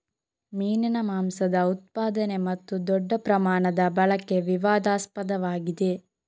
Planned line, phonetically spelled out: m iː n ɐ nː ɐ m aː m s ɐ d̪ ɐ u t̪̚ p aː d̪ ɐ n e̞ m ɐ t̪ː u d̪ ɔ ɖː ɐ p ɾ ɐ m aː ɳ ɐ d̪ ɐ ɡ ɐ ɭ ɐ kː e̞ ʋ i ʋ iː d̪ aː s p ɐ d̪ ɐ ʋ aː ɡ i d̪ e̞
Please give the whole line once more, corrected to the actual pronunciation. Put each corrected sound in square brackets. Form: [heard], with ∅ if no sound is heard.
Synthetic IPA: m iː n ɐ [n] ɐ m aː m s ɐ d̪ ɐ u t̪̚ p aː d̪ ɐ n e̞ m ɐ t̪ː u d̪ ɔ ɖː ɐ p ɾ ɐ m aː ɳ ɐ d̪ ɐ [b] ɐ ɭ ɐ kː e̞ ʋ i ʋ [aː] d̪ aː s p ɐ d̪ ɐ ʋ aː ɡ i d̪ e̞